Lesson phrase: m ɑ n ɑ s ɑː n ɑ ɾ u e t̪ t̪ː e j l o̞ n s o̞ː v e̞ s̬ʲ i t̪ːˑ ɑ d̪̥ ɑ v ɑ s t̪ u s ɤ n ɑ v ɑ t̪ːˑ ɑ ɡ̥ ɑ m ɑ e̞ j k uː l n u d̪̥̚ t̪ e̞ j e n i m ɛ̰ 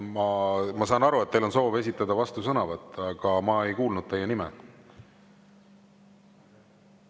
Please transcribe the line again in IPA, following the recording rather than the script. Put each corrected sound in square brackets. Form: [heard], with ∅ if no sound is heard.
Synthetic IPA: m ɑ [m] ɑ s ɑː n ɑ ɾ u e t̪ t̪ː e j l o̞ n s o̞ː v e̞ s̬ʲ i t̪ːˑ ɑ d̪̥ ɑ v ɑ s t̪ u s ɤ n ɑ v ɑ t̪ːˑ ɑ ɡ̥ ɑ m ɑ e̞ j k uː l n u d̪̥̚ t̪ e̞ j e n i m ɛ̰